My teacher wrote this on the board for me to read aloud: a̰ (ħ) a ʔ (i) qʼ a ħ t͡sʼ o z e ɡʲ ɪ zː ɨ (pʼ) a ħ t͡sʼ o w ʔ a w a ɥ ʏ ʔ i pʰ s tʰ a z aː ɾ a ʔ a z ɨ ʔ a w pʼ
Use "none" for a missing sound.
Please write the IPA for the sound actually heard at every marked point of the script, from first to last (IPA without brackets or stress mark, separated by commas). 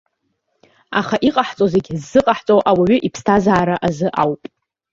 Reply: χ, i, qʼ